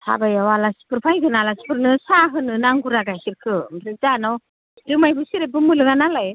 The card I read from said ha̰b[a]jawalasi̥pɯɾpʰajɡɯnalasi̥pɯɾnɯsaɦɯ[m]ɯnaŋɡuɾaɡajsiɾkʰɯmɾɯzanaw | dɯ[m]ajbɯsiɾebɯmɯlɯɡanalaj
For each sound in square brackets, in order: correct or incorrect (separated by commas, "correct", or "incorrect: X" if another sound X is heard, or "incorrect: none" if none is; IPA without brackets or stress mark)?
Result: correct, incorrect: n, correct